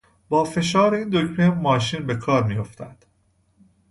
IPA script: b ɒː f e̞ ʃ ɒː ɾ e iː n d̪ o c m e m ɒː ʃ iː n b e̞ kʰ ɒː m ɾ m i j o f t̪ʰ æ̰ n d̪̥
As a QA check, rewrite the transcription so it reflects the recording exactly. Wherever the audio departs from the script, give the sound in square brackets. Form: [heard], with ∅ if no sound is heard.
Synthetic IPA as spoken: b ɒː f e̞ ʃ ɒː ɾ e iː n d̪ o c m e m ɒː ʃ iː n b e̞ kʰ ɒː [∅] ɾ m i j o f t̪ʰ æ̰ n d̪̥